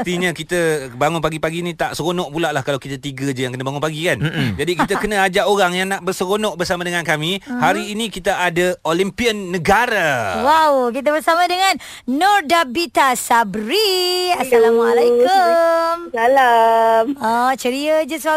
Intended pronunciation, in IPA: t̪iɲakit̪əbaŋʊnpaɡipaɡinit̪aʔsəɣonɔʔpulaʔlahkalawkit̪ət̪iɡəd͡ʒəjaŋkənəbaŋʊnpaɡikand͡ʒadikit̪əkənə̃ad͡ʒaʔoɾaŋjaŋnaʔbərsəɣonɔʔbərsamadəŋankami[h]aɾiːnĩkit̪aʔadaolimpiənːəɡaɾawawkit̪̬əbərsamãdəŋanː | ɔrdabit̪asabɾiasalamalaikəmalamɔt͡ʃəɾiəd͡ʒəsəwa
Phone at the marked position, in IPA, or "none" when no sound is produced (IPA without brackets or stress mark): h